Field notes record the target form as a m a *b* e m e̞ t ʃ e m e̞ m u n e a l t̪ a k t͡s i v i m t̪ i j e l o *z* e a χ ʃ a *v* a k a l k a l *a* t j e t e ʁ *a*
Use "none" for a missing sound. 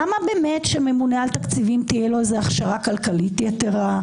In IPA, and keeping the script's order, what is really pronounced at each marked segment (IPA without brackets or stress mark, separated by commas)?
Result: b, z, ʁ, i, a